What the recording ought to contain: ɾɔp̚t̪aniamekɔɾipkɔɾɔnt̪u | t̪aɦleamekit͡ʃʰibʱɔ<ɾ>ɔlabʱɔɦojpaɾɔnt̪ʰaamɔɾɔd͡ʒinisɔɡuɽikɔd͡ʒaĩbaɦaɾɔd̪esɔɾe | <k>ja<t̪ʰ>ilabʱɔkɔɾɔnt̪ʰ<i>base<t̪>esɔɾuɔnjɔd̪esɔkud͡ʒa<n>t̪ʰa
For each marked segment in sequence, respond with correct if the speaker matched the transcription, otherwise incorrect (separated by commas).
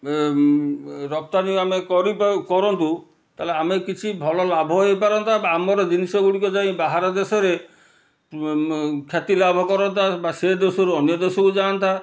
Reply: incorrect, incorrect, incorrect, incorrect, incorrect, correct